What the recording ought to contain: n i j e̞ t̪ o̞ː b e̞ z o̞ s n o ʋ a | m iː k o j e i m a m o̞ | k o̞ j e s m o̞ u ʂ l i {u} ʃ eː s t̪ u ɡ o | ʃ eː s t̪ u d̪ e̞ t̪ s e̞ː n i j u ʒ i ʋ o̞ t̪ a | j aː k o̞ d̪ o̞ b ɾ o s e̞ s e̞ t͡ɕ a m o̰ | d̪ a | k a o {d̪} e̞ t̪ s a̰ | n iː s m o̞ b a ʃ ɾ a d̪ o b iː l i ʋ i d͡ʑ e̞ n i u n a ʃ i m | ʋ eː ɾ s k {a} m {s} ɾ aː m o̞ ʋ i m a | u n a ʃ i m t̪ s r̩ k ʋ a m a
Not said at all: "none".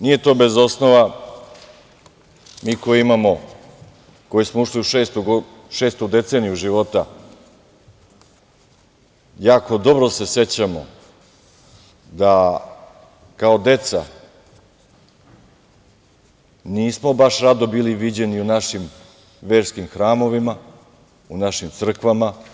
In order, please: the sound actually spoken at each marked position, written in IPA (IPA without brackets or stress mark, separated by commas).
u, d̪, i, x